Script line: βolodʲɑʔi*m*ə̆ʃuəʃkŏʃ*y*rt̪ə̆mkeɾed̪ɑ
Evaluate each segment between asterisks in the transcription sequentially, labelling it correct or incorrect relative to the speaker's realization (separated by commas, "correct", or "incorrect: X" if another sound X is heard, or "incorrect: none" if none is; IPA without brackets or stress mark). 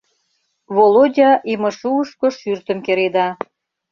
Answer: correct, correct